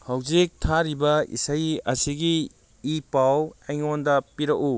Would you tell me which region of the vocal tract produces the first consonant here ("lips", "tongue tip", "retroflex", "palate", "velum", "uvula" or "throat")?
throat